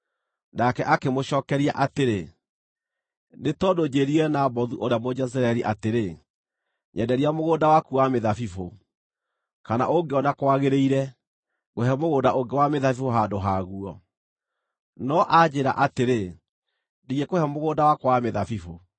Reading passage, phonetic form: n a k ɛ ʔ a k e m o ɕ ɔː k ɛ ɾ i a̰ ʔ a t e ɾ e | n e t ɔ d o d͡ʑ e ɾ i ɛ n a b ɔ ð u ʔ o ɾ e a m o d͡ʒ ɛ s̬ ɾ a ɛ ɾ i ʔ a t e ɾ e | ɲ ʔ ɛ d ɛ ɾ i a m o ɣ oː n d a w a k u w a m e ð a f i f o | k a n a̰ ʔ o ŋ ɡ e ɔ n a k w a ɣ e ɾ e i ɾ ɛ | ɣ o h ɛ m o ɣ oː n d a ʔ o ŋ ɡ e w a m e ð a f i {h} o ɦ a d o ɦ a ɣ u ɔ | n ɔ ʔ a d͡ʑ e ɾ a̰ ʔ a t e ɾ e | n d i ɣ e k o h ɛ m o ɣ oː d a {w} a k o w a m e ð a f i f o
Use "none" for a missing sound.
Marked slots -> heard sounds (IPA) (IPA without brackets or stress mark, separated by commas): f, w